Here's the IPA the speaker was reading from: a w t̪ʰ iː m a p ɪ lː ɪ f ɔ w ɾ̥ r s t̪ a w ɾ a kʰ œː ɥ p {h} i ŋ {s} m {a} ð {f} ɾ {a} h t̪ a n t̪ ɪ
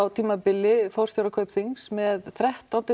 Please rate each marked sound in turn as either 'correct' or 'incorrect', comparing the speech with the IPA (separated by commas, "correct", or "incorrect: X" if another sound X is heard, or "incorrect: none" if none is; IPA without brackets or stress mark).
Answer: incorrect: θ, correct, incorrect: ɛ, incorrect: θ, incorrect: ɛ